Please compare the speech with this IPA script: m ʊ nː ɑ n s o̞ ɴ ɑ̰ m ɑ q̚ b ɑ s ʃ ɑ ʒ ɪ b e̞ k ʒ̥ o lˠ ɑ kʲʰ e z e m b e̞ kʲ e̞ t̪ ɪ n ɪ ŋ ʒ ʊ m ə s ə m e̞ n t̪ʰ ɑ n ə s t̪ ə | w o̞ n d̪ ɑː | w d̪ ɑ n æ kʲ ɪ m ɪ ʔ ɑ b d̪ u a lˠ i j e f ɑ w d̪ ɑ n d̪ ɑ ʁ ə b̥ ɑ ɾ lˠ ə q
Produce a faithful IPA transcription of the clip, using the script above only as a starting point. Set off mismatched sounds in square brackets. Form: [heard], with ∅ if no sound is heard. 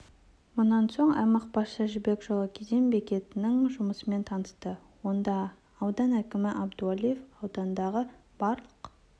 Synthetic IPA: m ʊ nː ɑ n s o̞ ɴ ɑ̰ m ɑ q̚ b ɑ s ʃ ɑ ʒ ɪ b e̞ k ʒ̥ o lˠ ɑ kʲʰ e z e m b e̞ kʲ e̞ t̪ ɪ n ɪ ŋ ʒ ʊ m ə s ə m e̞ n t̪ʰ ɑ n ə s t̪ ə | w o̞ n d̪ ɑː | w d̪ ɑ n æ kʲ ɪ m ɪ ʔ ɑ b d̪ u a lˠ i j e f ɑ w d̪ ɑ n d̪ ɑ ʁ ə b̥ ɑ ɾ lˠ ə q